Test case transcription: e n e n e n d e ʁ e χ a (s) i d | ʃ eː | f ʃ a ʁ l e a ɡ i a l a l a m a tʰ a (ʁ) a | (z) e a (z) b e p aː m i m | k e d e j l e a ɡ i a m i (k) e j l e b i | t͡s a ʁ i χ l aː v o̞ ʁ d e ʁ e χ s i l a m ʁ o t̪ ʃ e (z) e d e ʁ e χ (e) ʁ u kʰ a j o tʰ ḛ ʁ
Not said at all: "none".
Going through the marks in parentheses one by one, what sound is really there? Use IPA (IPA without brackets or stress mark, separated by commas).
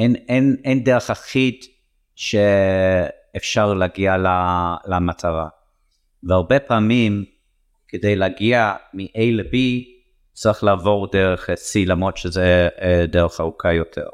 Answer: χ, ʁ, v, ʁ, ʔ, z, a